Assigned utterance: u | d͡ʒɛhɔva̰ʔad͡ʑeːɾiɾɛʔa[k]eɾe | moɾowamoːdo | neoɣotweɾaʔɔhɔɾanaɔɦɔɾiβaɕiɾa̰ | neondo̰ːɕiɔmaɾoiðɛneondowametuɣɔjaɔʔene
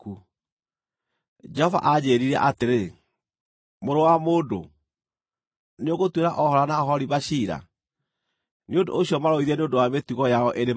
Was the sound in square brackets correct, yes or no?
no